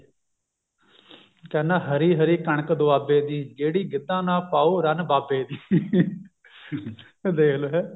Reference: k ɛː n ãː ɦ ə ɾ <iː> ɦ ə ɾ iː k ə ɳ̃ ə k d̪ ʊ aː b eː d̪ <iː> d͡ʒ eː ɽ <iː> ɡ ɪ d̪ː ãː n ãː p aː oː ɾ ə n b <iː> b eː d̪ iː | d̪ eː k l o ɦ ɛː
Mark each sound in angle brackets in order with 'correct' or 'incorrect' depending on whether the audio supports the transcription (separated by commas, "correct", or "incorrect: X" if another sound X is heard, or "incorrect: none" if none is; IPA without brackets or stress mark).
correct, correct, correct, incorrect: aː